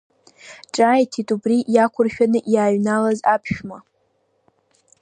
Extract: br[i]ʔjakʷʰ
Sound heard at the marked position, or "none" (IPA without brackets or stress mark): i